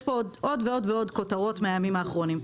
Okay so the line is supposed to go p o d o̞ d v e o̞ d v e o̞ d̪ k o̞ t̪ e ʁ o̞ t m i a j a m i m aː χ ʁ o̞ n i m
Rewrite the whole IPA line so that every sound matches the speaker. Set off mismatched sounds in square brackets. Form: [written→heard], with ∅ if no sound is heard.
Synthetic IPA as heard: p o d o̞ d v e o̞ d v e o̞ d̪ k o̞ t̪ [e→a] ʁ o̞ t m [i→e] a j a m i m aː χ ʁ o̞ n i m